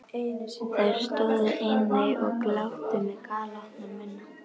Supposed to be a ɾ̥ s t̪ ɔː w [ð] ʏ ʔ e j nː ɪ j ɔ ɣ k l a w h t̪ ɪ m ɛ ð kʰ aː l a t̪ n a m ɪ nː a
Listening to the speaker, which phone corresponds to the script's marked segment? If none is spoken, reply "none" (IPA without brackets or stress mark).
ð